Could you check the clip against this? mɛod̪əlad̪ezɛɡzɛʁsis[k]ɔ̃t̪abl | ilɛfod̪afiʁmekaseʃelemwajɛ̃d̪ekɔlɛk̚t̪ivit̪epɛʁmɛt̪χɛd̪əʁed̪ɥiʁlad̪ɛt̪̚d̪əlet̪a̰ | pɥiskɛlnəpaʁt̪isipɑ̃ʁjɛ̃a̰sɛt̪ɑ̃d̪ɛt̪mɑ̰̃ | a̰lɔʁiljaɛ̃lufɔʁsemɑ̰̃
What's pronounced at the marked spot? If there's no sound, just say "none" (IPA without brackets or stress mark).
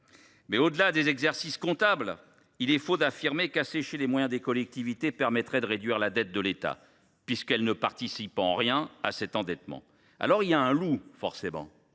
k